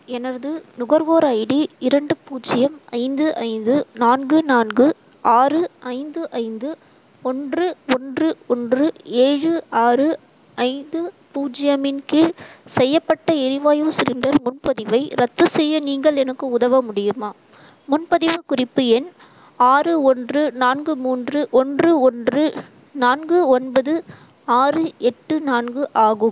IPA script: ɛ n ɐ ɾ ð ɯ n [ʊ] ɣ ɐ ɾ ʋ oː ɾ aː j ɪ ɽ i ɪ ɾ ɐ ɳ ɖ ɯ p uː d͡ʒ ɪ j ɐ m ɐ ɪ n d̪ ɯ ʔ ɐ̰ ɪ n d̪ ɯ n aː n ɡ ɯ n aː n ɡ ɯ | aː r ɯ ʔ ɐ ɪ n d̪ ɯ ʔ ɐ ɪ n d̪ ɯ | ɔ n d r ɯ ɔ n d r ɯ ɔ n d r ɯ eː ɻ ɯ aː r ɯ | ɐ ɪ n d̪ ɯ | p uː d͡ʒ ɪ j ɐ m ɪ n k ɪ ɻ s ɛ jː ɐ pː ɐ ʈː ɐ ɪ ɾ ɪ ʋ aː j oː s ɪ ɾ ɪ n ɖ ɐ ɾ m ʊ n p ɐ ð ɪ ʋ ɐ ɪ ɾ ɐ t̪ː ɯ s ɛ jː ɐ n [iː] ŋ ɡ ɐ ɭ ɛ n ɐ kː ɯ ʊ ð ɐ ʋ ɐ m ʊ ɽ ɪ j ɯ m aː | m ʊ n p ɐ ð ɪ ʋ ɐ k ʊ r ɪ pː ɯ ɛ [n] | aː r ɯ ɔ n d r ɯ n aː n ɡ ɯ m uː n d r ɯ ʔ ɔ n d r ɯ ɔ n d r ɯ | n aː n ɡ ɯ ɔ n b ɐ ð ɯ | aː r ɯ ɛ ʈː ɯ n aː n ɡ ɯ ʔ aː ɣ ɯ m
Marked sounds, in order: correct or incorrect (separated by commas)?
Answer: correct, correct, correct